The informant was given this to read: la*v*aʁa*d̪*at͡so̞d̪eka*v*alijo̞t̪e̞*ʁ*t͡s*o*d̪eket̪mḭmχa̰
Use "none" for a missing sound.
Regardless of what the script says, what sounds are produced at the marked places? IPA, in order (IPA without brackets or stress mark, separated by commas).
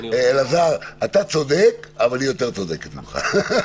z, t̪, v, ʁ, o